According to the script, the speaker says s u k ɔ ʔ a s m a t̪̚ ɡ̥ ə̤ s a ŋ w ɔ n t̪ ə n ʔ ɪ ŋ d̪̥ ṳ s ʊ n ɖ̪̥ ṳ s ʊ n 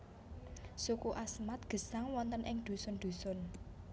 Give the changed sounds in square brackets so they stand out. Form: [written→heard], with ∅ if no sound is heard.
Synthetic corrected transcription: s u k [ɔ→u] ʔ a s m a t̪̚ ɡ̥ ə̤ s a ŋ w ɔ n t̪ ə n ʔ ɪ ŋ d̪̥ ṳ s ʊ n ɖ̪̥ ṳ s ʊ n

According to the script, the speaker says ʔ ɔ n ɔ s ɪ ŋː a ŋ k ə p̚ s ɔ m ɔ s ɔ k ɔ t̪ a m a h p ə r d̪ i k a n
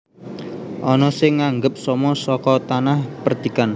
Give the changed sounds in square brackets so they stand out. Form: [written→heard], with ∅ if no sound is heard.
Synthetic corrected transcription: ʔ ɔ n ɔ s ɪ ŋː a ŋ [k→ɡ] ə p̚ s ɔ m ɔ s ɔ k ɔ t̪ a [m→n] a h p ə r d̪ i k a n

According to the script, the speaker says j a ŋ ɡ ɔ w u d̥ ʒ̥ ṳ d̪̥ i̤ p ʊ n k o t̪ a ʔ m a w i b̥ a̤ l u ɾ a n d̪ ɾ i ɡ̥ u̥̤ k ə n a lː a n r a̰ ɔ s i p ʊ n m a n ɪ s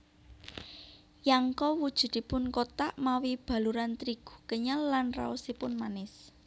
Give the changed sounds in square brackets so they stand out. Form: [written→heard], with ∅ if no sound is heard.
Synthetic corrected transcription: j a ŋ [ɡ→k] ɔ w u d̥ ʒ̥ ṳ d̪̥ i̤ p ʊ n k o t̪ a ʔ m a w i b̥ a̤ l u ɾ a n [d̪→t̪] ɾ i ɡ̥ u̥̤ k ə [n→ɲ] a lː a n r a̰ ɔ s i p ʊ n m a n ɪ s

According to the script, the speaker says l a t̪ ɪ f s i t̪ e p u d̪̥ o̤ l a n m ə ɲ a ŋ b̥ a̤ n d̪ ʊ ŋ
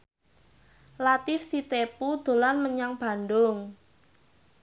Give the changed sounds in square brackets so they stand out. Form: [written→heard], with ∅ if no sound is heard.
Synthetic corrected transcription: l a t̪ ɪ f s i t̪ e p u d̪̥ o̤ l a n m ə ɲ a ŋ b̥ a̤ n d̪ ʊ ŋ

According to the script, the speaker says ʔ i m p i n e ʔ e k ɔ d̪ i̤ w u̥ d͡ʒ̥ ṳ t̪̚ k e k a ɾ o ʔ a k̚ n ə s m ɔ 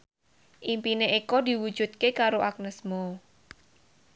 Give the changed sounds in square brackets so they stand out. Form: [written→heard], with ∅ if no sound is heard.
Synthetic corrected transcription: ʔ i m p i n e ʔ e k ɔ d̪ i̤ w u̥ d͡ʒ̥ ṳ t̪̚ k e k a ɾ o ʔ a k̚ n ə s m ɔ

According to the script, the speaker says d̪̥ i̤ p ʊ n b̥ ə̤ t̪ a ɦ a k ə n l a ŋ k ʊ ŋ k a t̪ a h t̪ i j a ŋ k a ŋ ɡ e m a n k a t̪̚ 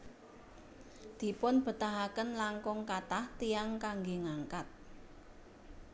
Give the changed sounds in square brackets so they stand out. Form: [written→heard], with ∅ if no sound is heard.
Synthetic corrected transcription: d̪̥ i̤ p ʊ n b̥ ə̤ t̪ a ɦ a k ə n l a ŋ k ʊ ŋ k a t̪ a h t̪ i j a ŋ k a ŋ ɡ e [m→ŋ] a [n→ŋ] k a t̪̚

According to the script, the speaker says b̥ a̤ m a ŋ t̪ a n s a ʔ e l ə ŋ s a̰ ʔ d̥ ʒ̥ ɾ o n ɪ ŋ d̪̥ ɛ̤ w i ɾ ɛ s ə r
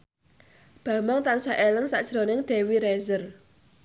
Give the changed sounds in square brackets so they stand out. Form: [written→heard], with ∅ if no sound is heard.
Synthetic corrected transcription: b̥ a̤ m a ŋ t̪ a n s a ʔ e l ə ŋ s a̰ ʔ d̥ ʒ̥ ɾ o n ɪ ŋ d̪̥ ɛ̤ w i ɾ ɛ [s→z] ə r

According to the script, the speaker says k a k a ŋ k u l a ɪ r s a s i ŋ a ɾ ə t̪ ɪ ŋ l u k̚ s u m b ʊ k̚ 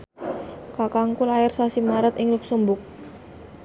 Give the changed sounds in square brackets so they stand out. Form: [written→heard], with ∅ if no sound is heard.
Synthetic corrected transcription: k a k a ŋ k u l a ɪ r s a s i [ŋ→m] a ɾ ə t̪ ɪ ŋ l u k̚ s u m b ʊ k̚

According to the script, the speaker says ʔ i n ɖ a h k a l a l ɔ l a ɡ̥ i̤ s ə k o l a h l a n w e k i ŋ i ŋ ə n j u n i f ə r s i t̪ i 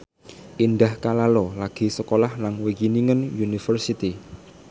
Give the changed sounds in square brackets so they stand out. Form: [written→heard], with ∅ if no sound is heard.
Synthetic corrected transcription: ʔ i n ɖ a h k a l a l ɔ l a ɡ̥ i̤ s ə k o l a h l a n w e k i [ŋ→n] i ŋ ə n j u n i f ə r s i t̪ i

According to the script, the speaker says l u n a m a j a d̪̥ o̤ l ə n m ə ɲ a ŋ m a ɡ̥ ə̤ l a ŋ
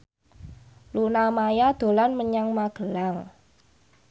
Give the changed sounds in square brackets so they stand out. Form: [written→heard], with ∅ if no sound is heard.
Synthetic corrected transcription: l u n a m a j a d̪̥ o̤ l [ə→a] n m ə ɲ a ŋ m a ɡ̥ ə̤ l a ŋ

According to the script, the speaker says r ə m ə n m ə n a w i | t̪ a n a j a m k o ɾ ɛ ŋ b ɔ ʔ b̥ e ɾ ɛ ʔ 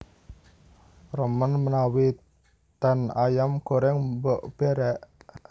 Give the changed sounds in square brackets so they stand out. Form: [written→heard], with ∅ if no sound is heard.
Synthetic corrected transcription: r ə m ə n m ə n a w i | t̪ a n a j a m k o ɾ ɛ ŋ b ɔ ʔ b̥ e ɾ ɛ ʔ

